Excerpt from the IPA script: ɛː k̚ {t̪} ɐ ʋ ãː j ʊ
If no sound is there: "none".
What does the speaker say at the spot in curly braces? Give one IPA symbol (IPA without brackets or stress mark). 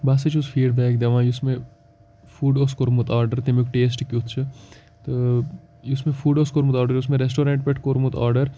d̪